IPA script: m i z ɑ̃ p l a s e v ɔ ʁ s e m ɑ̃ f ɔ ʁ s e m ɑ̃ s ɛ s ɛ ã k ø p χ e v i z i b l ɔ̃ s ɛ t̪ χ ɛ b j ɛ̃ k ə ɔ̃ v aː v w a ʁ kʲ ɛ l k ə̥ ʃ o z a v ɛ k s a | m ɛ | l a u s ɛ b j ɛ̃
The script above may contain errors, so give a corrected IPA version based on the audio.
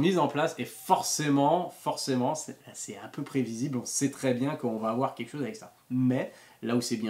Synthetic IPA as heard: m i z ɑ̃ p l a s e f ɔ ʁ s e m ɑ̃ f ɔ ʁ s e m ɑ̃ s ɛ s ɛ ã p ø p χ e v i z i b l ɔ̃ s ɛ t̪ χ ɛ b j ɛ̃ k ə ɔ̃ v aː v w a ʁ kʲ ɛ l k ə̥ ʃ o z a v ɛ k s a | m ɛ | l a u s ɛ b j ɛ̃